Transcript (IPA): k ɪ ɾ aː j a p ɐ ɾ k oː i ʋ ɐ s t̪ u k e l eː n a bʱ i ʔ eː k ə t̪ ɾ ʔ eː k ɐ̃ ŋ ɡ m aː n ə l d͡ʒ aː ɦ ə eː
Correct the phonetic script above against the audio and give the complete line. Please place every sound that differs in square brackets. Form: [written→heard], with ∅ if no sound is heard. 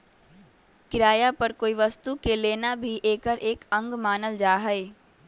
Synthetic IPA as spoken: k ɪ ɾ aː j a p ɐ ɾ k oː i ʋ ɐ s t̪ u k e l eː n a bʱ i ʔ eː k ə [t̪→∅] ɾ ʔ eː k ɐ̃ ŋ ɡ m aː n ə l d͡ʒ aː ɦ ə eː